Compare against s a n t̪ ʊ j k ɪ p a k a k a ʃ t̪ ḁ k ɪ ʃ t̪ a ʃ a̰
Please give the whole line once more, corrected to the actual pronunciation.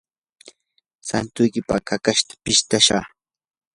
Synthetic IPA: s a n t̪ ʊ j k ɪ p a k a k a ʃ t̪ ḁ p ɪ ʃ t̪ a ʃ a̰